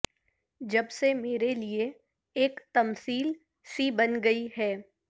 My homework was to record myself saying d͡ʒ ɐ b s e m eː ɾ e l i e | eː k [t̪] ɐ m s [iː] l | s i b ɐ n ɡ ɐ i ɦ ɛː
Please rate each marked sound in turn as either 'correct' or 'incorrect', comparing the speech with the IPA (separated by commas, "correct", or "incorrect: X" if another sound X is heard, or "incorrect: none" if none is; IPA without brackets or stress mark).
correct, correct